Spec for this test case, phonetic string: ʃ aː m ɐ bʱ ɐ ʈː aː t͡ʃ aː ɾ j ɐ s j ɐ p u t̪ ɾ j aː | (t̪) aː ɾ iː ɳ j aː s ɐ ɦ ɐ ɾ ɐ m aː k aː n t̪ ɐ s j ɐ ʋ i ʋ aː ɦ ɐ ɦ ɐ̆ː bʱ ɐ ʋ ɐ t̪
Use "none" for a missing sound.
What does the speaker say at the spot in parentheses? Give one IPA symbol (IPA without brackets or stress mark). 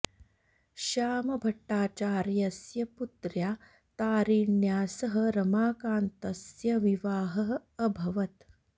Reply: t̪